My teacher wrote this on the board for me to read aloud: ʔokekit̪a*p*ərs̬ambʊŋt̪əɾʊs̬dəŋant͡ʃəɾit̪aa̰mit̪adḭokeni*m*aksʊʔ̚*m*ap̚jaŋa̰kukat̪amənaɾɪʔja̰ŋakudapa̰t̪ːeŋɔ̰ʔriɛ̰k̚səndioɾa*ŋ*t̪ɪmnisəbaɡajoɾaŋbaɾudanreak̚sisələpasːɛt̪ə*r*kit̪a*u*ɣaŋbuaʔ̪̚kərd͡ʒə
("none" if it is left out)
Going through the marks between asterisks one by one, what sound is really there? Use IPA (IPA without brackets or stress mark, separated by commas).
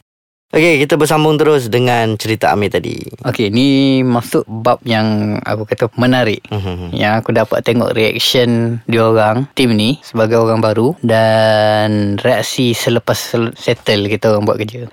b, m, b, ŋ, l, o